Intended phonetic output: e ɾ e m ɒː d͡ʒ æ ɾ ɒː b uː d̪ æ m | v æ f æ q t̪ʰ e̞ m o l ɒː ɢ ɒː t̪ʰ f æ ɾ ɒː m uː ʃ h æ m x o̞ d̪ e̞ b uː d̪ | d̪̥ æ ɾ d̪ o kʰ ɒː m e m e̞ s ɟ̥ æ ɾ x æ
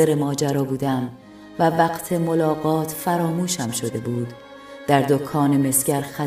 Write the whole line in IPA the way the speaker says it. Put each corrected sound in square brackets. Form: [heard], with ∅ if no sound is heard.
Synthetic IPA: e ɾ e m ɒː d͡ʒ æ ɾ ɒː b uː d̪ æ m | v æ [v] æ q t̪ʰ e̞ m o l ɒː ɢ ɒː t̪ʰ f æ ɾ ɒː m uː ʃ h æ m [ʃ] o̞ d̪ e̞ b uː d̪ | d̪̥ æ ɾ d̪ o kʰ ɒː [n] e m e̞ s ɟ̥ æ ɾ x æ